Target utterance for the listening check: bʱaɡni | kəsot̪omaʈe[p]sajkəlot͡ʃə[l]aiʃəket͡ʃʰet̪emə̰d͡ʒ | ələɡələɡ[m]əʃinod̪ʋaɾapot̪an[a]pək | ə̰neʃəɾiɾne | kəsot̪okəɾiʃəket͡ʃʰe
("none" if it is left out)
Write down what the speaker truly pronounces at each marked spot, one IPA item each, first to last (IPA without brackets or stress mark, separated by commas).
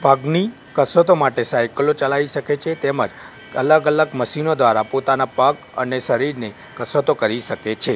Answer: none, l, m, a